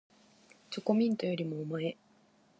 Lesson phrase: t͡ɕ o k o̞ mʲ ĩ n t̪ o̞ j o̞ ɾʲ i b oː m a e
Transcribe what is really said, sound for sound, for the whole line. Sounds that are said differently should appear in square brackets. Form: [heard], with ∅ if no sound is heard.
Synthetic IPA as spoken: t͡ɕ o k o̞ mʲ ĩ n t̪ o̞ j o̞ ɾʲ i [m] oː m a e

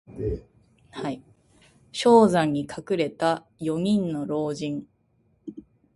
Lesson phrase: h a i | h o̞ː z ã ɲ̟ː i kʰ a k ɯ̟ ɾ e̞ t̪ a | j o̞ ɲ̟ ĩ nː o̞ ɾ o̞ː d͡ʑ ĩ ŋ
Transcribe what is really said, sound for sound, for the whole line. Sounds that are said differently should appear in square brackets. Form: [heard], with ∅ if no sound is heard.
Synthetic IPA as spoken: h a i | [ɕ] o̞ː z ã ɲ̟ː i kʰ a k ɯ̟ ɾ e̞ t̪ a | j o̞ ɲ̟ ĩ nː o̞ ɾ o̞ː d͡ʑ ĩ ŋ

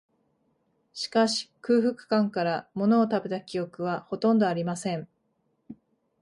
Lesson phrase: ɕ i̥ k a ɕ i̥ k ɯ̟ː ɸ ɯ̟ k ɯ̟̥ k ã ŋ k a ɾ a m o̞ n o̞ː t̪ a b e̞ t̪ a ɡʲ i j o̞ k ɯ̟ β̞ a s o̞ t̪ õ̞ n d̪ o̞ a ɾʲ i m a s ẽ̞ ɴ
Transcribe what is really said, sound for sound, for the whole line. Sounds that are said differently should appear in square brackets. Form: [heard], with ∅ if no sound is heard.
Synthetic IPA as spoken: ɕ i̥ k a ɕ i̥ k ɯ̟ː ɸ ɯ̟ k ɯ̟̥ k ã ŋ k a ɾ a m o̞ n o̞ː t̪ a b e̞ t̪ a [kʲ] i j o̞ k ɯ̟ β̞ a [h] o̞ t̪ õ̞ n d̪ o̞ a ɾʲ i m a s ẽ̞ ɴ

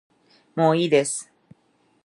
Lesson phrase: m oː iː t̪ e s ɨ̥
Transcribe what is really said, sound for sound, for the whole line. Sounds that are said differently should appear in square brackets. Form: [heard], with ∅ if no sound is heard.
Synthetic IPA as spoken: m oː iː [d̪] e s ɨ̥

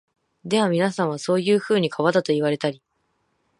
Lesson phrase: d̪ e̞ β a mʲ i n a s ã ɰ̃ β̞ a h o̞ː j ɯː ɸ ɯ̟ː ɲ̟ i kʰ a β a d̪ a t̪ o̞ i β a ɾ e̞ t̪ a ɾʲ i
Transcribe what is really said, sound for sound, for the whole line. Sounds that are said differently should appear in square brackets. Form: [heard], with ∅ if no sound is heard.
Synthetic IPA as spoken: d̪ e̞ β a mʲ i n a s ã ɰ̃ β̞ a [s] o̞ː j ɯː ɸ ɯ̟ː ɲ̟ i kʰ a β a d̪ a t̪ o̞ i β a ɾ e̞ t̪ a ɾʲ i

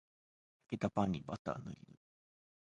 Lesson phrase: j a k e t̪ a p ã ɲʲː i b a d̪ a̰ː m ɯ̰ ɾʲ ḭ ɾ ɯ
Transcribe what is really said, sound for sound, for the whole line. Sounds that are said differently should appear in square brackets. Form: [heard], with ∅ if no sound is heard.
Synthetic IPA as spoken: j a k e t̪ a p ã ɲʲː i b a [t̪] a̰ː [n] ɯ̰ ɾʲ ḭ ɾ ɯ

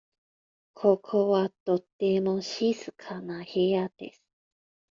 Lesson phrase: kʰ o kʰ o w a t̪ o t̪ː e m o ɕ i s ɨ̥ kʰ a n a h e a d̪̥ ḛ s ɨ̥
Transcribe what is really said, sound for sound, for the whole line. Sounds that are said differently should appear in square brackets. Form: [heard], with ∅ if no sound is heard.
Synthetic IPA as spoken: kʰ o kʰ o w a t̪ o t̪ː e m o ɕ i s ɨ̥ kʰ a n a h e a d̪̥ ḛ s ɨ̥

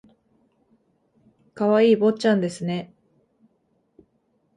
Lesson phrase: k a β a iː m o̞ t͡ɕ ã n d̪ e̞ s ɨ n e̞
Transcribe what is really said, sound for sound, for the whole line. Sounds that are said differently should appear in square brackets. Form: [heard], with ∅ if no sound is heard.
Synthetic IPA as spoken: k a β a iː [b] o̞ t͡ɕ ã n d̪ e̞ s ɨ n e̞

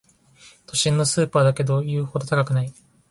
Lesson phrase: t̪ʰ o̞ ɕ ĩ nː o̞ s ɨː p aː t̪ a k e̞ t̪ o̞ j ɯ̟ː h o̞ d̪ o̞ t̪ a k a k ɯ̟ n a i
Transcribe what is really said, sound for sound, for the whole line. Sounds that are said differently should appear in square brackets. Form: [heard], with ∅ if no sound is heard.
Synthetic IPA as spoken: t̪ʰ o̞ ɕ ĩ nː o̞ s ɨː p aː [d̪] a k e̞ [d̪] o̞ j ɯ̟ː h o̞ d̪ o̞ t̪ a k a k ɯ̟ n a i

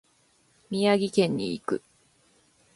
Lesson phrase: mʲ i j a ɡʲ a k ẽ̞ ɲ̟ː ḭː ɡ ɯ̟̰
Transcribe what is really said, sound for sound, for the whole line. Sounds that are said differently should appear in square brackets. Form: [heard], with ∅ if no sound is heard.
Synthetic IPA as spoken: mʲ i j a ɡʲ [i] k ẽ̞ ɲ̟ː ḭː [k] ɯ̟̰

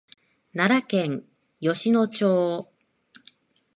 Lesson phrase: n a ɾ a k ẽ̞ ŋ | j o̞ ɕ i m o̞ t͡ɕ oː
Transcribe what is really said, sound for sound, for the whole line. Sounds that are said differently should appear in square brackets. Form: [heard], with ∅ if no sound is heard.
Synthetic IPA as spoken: n a ɾ a k ẽ̞ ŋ | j o̞ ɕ i [n] o̞ t͡ɕ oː

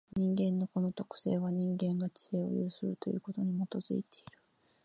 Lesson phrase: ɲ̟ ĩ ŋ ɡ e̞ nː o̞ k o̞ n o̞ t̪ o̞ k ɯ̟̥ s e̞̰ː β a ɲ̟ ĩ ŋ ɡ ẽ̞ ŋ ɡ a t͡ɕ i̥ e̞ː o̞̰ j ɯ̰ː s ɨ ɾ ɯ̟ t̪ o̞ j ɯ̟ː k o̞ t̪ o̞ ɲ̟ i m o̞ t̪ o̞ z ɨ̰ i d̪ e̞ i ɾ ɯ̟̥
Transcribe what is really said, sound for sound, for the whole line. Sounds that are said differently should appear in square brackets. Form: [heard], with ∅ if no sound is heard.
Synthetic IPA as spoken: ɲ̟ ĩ ŋ ɡ [ẽ̞] nː o̞ k o̞ n o̞ t̪ o̞ k ɯ̟̥ s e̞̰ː β a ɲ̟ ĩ ŋ ɡ ẽ̞ ŋ ɡ a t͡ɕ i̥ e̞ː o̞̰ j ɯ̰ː s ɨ ɾ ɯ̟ t̪ o̞ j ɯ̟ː k o̞ t̪ o̞ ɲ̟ i m o̞ t̪ o̞ z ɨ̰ i [t̪] e̞ i ɾ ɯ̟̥

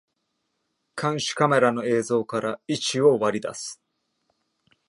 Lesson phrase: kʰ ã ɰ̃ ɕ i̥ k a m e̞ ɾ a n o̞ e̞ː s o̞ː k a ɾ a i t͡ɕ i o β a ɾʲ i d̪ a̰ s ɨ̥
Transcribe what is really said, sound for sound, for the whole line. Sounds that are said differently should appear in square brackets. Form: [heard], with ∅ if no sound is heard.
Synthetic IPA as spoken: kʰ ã ɰ̃ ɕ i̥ k a m e̞ ɾ a n o̞ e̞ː [z] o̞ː k a ɾ a i t͡ɕ i o β a ɾʲ i d̪ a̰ s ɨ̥

